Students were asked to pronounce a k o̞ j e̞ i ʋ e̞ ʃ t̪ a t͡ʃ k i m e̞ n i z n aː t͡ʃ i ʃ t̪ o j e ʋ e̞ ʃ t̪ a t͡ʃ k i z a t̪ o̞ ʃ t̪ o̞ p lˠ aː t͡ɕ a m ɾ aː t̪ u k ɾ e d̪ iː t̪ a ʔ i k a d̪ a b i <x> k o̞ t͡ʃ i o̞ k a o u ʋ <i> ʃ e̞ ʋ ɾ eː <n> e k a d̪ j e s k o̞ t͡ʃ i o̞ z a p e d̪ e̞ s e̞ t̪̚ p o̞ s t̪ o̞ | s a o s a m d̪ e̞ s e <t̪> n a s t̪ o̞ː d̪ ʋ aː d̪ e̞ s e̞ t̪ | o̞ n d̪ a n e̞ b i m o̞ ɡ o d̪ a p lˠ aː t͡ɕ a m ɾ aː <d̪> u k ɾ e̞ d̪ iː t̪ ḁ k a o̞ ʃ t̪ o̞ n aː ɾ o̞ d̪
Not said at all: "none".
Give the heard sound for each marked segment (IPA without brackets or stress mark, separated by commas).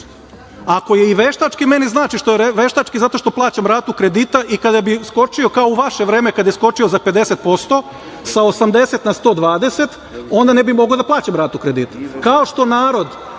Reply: s, a, m, t̪, t̪